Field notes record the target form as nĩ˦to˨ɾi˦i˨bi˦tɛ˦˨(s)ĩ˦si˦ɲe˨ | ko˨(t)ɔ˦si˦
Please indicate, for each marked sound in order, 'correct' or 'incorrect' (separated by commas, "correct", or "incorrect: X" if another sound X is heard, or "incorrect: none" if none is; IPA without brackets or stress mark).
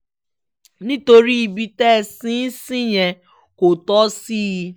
correct, correct